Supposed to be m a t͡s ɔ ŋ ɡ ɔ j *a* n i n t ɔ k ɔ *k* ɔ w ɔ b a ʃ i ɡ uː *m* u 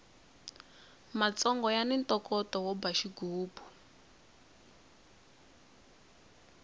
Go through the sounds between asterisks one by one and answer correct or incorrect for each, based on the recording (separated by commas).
correct, incorrect, incorrect